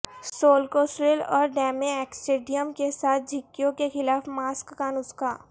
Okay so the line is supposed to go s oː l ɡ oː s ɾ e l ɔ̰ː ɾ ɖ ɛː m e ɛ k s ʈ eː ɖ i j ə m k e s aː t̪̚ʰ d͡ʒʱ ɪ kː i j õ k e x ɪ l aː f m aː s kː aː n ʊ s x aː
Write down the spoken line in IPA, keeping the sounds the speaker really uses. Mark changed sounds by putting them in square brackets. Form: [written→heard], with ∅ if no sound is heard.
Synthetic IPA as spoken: s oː l [ɡ→k] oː s ɾ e l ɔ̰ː ɾ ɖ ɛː m e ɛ k s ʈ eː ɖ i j ə m k e s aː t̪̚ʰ d͡ʒʱ ɪ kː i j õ k e x ɪ l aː f m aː s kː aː n ʊ s [x→k] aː

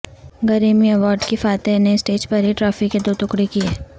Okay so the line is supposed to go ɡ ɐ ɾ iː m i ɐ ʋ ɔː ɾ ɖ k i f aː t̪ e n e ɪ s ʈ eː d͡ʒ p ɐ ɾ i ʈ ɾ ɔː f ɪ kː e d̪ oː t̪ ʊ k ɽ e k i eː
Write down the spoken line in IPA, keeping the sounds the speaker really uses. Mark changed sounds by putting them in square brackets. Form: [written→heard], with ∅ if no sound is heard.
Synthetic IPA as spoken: ɡ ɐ ɾ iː m i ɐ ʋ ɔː ɾ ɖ k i f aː t̪ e n e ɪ s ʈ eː d͡ʒ p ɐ ɾ i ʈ ɾ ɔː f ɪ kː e d̪ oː t̪ ʊ k ɽ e k i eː

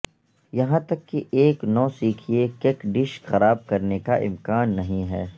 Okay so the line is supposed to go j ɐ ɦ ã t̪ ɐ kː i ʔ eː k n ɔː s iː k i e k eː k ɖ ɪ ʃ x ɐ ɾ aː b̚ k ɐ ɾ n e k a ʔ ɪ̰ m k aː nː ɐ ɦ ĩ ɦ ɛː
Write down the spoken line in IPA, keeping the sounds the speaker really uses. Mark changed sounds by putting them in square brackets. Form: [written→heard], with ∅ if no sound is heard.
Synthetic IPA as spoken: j ɐ ɦ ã t̪ ɐ kː i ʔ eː k n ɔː s iː [k→kʰ] i e k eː k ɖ ɪ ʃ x ɐ ɾ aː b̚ k ɐ ɾ n e k a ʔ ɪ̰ m k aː nː ɐ ɦ ĩ ɦ ɛː

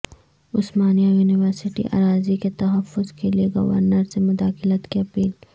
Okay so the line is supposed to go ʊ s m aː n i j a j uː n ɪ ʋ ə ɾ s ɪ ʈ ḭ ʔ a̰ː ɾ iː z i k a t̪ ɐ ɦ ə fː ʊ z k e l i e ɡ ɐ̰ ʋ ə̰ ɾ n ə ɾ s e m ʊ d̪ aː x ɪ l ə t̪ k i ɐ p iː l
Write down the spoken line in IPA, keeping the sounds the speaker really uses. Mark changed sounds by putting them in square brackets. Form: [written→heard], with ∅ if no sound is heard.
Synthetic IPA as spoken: ʊ s m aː n i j a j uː n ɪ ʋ ə ɾ s ɪ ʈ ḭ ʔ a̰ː ɾ [iː→aː] z i k [a→e] t̪ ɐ ɦ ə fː ʊ z k e l i e ɡ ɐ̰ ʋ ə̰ ɾ n ə ɾ s e m ʊ d̪ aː x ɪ l ə t̪ k i ɐ p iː l

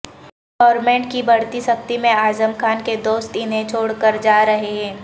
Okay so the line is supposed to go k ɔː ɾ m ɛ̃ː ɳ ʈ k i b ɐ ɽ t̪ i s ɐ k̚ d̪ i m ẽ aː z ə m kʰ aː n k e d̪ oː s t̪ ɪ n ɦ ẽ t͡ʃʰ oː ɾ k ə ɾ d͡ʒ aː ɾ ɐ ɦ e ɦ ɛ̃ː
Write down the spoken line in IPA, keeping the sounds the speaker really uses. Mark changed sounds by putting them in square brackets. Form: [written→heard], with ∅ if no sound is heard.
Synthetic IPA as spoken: [k→ɡ] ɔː ɾ m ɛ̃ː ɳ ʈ k i b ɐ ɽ t̪ i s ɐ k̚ [d̪→t̪] i m ẽ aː z ə m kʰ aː n k e d̪ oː s t̪ ɪ n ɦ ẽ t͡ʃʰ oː [ɾ→ɽ] k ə ɾ d͡ʒ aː ɾ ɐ ɦ e ɦ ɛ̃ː

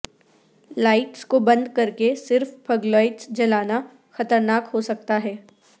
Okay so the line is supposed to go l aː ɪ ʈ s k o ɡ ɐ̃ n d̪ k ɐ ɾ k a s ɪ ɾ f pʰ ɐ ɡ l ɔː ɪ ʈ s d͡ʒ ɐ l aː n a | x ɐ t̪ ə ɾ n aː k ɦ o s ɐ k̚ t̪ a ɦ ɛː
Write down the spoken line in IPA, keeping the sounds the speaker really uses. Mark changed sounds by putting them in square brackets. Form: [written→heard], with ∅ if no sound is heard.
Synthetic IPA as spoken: l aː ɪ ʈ s k o [ɡ→b] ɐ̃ n d̪ k ɐ ɾ k [a→e] s ɪ ɾ f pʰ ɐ ɡ l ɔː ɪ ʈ s d͡ʒ ɐ l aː n a | x ɐ t̪ ə ɾ n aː k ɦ o s ɐ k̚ t̪ a ɦ ɛː

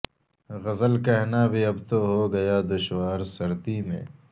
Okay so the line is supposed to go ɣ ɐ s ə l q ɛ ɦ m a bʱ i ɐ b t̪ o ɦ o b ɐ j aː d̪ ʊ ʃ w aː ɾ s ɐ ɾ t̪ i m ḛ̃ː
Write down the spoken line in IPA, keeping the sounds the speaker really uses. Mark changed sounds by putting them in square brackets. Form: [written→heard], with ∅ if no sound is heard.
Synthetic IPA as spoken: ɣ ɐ [s→z] ə l [q→k] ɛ ɦ [m→n] a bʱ i ɐ b t̪ o ɦ o [b→ɡ] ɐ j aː d̪ ʊ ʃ w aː ɾ s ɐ ɾ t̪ i m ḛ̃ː

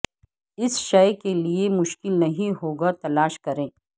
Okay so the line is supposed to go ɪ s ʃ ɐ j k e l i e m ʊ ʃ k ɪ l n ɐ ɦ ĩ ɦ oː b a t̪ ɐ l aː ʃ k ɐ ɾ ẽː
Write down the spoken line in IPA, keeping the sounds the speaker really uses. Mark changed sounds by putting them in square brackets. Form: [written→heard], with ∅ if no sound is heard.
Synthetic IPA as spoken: ɪ s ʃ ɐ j k e l i e m ʊ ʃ k ɪ l n ɐ ɦ ĩ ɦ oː [b→ɡ] a t̪ ɐ l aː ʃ k ɐ ɾ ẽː

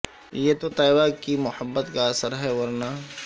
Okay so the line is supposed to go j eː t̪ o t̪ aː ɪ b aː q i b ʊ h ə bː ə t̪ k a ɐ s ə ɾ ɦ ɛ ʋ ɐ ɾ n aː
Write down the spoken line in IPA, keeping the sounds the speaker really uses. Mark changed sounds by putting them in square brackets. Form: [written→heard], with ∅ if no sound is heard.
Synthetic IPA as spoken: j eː t̪ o t̪ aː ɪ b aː [q→k] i [b→m] ʊ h ə bː ə t̪ k a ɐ s ə ɾ ɦ ɛ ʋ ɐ ɾ n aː

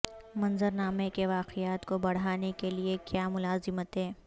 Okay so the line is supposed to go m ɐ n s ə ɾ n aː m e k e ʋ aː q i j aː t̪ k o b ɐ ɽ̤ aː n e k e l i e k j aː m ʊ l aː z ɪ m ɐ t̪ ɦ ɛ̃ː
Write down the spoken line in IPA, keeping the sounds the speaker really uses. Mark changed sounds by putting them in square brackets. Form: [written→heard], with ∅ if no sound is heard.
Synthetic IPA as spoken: m ɐ n [s→z] ə ɾ n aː m e k e ʋ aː q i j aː t̪ k o b ɐ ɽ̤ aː n e k e l i e k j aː m ʊ l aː z ɪ m [ɐ→ə] t̪ ɦ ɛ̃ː

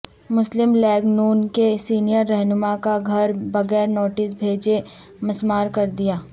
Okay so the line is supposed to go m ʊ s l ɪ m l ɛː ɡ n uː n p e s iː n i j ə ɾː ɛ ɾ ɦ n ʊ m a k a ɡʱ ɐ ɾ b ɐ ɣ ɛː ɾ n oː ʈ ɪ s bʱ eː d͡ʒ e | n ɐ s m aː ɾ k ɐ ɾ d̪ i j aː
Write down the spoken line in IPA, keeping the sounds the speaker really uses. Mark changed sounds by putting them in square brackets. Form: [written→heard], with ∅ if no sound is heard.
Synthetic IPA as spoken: m ʊ s l ɪ m l ɛː ɡ n uː n [p→k] e s iː n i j ə ɾː ɛ [ɾ→∅] ɦ n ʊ m a k a ɡʱ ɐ ɾ b ɐ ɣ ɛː ɾ n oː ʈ ɪ s bʱ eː d͡ʒ e | [n→m] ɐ s m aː ɾ k ɐ ɾ d̪ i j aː

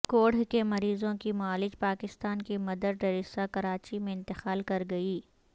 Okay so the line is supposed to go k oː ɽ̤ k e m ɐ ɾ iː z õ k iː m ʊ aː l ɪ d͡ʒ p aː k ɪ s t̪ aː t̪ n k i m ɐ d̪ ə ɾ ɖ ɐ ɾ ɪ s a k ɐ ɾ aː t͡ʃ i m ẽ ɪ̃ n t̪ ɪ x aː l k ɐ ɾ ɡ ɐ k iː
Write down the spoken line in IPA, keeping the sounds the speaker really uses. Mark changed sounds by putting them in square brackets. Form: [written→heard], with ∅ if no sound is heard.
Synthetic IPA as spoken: k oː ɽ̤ k e m ɐ ɾ iː z õ k [iː→i] m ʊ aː l ɪ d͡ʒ p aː k ɪ s t̪ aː [t̪→∅] n k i m ɐ d̪ ə ɾ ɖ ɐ ɾ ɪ s a k ɐ ɾ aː t͡ʃ i m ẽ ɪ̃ n t̪ ɪ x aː l k ɐ ɾ ɡ ɐ [k→∅] iː

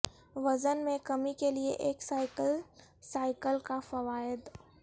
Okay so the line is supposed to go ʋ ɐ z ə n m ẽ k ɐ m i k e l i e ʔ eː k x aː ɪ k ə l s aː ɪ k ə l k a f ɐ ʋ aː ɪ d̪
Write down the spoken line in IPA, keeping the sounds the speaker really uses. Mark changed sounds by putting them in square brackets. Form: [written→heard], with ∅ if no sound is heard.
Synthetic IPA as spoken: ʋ ɐ z ə n m ẽ k ɐ m i k e l i e ʔ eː k [x→s] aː ɪ k ə l s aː ɪ k ə l k a f ɐ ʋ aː ɪ d̪

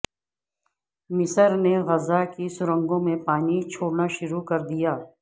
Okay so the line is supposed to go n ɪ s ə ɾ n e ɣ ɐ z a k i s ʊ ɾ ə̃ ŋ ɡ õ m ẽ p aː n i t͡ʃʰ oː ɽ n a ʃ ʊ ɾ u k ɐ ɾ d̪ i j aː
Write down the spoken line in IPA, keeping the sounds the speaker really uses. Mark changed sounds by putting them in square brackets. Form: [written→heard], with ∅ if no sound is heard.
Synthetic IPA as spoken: [n→m] ɪ s ə ɾ n e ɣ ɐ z a k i s ʊ ɾ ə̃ ŋ ɡ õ m ẽ p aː n i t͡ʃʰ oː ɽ n a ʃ ʊ ɾ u k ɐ ɾ d̪ i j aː

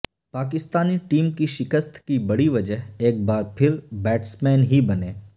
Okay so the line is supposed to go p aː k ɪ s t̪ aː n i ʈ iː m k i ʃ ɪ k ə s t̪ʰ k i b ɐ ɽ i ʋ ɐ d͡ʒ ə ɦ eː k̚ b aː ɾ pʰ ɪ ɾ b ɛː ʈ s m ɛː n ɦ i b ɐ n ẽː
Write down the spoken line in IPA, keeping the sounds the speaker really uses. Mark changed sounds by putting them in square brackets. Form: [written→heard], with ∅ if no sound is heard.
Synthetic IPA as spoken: p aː k ɪ s t̪ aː n i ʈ iː m k i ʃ ɪ k ə s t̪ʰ k i b ɐ ɽ i ʋ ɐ d͡ʒ ə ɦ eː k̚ b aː ɾ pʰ ɪ ɾ b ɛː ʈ s m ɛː n ɦ i b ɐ n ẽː

